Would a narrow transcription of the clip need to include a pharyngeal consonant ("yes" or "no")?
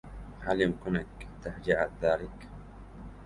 yes